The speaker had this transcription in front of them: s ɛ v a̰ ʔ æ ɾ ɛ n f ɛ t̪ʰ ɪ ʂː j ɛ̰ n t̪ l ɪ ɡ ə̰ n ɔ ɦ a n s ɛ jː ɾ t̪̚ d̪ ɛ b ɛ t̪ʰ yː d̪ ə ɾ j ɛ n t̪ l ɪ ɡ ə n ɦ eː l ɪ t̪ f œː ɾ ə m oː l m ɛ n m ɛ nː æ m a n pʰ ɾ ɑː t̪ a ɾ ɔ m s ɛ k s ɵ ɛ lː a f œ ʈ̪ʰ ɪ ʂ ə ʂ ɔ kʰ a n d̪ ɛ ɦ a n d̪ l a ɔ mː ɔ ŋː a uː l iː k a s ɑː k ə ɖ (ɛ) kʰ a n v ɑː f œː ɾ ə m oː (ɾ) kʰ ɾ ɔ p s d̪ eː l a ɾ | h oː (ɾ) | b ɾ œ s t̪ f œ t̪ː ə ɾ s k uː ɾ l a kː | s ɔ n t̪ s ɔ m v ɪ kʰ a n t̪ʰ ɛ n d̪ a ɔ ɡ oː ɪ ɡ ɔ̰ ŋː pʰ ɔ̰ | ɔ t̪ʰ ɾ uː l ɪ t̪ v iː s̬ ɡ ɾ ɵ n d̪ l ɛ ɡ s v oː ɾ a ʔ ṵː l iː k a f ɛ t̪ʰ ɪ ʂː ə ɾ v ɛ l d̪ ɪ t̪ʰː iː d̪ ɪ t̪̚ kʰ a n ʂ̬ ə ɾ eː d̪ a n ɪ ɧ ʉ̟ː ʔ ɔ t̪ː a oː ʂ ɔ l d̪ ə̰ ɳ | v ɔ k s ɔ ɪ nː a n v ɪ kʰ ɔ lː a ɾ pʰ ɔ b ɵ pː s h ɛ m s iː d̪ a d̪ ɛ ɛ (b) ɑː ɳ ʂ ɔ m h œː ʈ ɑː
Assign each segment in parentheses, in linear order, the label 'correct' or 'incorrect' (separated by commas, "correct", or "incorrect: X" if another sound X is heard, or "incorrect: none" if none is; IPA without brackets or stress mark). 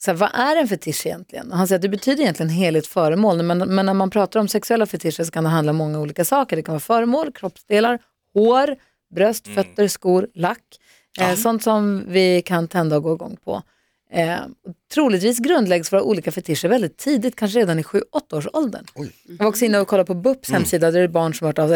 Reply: correct, incorrect: l, correct, correct